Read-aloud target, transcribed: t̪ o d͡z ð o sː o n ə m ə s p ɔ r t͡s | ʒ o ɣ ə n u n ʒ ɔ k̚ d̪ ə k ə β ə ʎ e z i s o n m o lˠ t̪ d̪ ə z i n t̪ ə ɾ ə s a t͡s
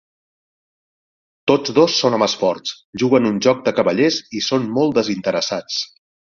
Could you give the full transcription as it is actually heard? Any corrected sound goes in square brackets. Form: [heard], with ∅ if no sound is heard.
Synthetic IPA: t̪ o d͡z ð o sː o n ə m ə s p ɔ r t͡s | ʒ [u] ɣ ə n u n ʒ ɔ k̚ d̪ ə k ə β ə ʎ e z i s o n m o lˠ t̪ d̪ ə z i n t̪ ə ɾ ə s a t͡s